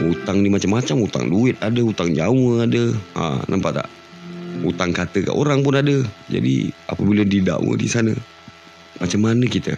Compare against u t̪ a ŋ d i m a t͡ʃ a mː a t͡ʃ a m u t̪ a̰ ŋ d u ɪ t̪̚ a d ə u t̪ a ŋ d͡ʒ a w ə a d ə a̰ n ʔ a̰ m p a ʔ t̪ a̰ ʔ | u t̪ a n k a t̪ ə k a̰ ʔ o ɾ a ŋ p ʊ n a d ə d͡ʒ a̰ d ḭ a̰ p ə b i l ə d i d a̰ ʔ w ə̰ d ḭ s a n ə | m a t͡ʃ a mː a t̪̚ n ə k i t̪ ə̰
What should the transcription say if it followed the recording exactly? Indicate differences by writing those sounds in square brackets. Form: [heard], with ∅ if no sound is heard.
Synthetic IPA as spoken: u t̪ a ŋ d i m a t͡ʃ a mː a t͡ʃ a m u t̪ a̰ ŋ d u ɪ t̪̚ a d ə u t̪ a ŋ d͡ʒ a w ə a d ə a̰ n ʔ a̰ m p a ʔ t̪ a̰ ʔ | u t̪ a [ŋ] k a t̪ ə k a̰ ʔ o ɾ a ŋ p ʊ n a d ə d͡ʒ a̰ d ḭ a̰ p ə b i l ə d i d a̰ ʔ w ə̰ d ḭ s a n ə | m a t͡ʃ a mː a [∅] n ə k i t̪ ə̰